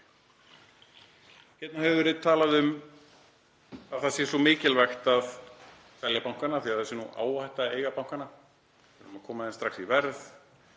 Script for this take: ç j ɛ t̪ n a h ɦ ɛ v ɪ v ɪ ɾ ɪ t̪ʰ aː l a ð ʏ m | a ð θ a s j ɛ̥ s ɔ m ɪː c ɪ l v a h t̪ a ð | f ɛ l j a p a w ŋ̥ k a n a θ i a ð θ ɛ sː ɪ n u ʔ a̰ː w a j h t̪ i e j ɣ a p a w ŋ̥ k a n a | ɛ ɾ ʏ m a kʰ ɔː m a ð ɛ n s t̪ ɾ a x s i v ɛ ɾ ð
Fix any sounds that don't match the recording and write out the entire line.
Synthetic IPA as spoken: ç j ɛ t̪ n a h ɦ ɛ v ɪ v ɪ ɾ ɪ t̪ʰ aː l a ð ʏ m | a ð θ a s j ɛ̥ s ɔ m ɪː c ɪ l v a x t̪ a ð | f ɛ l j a p a w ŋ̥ k a n a θ i a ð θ ɛ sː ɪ n u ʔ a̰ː w a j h t̪ a e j ɣ a p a w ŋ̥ k a n a | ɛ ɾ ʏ m a kʰ ɔː m a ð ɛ n s t̪ ɾ a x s i v ɛ ɾ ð